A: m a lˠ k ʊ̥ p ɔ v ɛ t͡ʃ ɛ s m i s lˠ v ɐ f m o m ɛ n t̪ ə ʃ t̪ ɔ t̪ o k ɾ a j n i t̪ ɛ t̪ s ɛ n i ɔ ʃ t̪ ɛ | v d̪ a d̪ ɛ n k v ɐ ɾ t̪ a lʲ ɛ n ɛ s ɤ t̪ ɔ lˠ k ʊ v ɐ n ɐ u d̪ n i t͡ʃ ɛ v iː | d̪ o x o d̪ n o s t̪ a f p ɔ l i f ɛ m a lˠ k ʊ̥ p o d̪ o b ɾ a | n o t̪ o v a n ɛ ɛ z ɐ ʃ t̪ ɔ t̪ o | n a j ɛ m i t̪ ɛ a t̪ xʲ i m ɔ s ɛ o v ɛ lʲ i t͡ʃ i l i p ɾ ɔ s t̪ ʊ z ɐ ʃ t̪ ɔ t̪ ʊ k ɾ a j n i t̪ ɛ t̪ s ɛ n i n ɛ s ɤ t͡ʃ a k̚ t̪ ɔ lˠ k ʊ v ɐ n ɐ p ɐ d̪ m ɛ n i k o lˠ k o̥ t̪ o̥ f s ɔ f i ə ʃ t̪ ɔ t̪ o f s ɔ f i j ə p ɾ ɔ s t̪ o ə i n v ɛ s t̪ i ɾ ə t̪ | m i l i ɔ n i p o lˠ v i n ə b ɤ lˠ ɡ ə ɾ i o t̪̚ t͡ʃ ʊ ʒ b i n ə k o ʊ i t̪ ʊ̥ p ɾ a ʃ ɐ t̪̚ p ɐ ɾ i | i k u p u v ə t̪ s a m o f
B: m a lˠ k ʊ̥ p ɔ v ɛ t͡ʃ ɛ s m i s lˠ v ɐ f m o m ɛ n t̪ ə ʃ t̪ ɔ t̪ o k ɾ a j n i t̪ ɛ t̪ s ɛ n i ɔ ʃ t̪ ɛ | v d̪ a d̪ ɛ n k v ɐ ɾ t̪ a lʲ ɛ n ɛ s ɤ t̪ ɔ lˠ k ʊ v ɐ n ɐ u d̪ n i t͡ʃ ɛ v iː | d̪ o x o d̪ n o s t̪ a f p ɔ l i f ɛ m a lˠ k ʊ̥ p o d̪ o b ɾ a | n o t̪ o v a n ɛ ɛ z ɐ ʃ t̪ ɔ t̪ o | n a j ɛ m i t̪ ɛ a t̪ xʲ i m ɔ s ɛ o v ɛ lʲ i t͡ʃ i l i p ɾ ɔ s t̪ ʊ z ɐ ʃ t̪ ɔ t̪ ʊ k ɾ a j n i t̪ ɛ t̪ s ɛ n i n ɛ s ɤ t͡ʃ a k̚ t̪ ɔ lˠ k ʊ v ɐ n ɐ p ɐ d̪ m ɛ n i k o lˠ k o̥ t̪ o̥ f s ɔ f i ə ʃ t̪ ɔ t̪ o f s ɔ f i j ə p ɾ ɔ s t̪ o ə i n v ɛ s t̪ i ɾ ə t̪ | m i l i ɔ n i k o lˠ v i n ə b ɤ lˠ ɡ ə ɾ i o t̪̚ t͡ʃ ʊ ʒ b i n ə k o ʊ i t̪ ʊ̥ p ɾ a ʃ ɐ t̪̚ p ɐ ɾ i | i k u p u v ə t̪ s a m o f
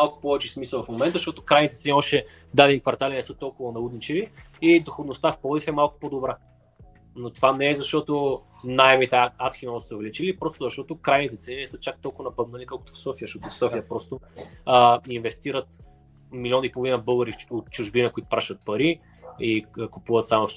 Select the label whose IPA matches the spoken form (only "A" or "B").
A